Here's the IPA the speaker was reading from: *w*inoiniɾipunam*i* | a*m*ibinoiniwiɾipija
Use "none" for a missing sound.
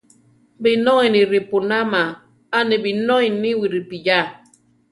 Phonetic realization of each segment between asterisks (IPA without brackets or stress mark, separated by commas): b, a, n